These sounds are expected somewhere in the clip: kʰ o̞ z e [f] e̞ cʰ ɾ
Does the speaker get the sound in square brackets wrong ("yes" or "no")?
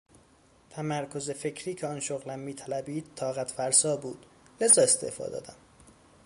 no